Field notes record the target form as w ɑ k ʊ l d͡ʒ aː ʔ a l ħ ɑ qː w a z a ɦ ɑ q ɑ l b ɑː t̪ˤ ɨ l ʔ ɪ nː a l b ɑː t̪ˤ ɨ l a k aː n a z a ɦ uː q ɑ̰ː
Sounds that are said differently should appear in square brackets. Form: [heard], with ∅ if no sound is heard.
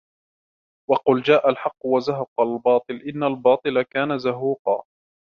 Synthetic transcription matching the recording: w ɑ [q] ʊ l d͡ʒ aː ʔ a l ħ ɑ qː w a z a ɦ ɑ q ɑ l b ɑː t̪ˤ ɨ l ʔ ɪ nː a l b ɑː t̪ˤ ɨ l a k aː n a z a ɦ uː q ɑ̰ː